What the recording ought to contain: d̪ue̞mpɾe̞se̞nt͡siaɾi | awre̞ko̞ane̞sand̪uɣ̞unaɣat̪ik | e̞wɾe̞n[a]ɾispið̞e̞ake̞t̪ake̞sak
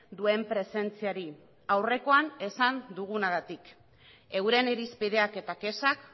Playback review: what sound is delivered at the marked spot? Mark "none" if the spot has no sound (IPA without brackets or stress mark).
e